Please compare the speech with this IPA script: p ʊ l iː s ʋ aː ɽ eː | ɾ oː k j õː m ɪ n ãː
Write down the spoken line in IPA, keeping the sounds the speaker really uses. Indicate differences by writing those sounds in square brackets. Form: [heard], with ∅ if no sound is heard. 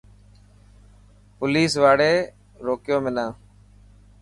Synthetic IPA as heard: p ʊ l iː s ʋ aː ɽ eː | ɾ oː k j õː m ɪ n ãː